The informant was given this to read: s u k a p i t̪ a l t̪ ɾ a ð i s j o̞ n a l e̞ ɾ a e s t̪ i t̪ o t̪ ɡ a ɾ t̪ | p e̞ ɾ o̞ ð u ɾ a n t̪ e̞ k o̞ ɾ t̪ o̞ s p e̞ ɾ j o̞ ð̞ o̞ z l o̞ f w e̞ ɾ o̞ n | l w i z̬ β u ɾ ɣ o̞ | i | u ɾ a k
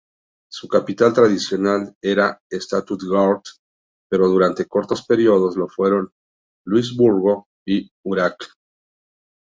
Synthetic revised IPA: s u k a p i t̪ a l t̪ ɾ a ð i s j o̞ n a l e̞ ɾ a e s t̪ a t̪ u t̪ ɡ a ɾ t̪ | p e̞ ɾ o̞ ð u ɾ a n t̪ e̞ k o̞ ɾ t̪ o̞ s p e̞ ɾ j o̞ ð̞ o̞ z l o̞ f w e̞ ɾ o̞ n | l w i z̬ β u ɾ ɣ o̞ | i | u ɾ a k